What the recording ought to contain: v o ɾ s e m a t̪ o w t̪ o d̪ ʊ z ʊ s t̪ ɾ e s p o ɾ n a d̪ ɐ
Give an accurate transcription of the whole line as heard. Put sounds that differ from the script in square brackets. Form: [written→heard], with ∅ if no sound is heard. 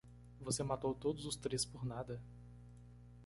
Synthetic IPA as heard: v o [ɾ→∅] s e m a t̪ o w t̪ o d̪ ʊ z ʊ s t̪ ɾ e s p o ɾ n a d̪ ɐ